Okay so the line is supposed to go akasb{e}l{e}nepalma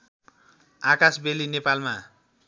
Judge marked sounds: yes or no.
yes, no

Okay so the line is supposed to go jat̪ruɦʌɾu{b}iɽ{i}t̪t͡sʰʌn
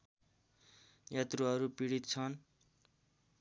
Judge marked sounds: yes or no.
no, yes

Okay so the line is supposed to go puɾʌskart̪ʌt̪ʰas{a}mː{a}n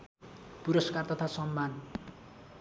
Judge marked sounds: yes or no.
no, yes

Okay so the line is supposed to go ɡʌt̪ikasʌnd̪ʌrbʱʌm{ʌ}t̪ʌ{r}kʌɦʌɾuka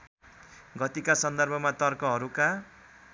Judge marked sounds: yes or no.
no, yes

